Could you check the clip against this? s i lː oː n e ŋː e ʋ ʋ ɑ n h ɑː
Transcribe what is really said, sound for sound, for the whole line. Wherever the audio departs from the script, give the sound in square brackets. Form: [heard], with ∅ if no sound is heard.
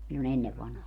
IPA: s i lː [o] n e [nː] e ʋ ʋ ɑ n h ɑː